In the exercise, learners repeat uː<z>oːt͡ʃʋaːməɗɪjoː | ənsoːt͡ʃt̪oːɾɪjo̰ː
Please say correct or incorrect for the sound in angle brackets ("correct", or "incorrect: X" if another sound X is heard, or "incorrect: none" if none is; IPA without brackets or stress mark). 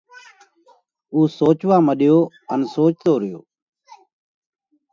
incorrect: s